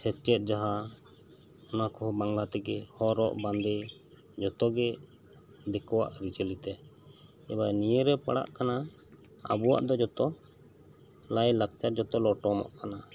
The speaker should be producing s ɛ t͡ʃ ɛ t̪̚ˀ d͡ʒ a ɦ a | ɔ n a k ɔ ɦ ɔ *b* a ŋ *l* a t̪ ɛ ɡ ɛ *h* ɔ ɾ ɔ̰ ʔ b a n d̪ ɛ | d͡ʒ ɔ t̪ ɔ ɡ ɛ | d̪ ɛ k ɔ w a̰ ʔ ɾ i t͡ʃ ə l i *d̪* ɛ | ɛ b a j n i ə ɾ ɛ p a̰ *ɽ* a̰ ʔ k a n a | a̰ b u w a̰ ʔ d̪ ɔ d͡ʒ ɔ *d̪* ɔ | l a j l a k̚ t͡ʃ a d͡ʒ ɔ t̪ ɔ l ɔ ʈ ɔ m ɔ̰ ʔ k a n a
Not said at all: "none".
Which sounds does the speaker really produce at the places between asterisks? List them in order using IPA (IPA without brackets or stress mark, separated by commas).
b, l, h, t̪, ɽ, t̪